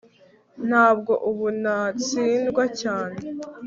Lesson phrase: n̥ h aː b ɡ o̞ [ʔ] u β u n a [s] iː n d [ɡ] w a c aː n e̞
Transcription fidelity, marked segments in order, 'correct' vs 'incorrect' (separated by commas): correct, incorrect, correct